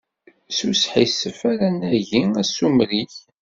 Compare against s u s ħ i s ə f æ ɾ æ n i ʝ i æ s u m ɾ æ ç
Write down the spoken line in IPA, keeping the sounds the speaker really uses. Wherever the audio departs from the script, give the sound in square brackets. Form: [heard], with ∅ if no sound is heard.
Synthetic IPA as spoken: s u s ħ i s ə f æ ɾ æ n [æ] ʝ i æ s u m ɾ [i] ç